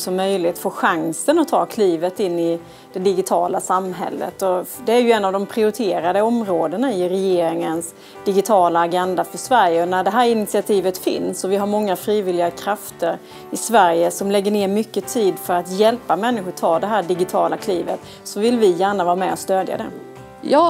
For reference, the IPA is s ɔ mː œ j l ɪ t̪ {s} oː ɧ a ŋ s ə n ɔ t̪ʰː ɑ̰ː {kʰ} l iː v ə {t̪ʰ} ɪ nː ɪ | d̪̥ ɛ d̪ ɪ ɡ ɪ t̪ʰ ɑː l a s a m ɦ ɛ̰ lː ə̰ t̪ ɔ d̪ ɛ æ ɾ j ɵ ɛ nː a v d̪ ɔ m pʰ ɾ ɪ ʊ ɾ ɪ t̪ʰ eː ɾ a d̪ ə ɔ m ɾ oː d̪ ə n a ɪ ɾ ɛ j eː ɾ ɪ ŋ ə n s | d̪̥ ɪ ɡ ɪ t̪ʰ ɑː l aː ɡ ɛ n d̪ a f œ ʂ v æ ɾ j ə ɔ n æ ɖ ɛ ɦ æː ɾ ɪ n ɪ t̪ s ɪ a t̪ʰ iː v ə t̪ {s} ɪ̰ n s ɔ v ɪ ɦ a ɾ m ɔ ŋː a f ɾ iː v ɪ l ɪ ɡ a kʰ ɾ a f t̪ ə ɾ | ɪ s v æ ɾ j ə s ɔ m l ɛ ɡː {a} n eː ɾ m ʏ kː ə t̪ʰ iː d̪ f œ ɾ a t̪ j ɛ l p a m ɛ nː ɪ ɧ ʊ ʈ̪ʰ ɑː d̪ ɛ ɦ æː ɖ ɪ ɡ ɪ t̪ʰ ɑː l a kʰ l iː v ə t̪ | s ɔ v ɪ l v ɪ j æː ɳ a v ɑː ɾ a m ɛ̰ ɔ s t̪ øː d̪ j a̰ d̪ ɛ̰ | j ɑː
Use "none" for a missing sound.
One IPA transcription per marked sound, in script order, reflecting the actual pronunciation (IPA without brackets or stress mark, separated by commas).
f, kʰ, t̪, f, ə